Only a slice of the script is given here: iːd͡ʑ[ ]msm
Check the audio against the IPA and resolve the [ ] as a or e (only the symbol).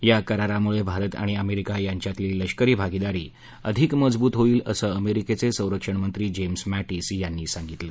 e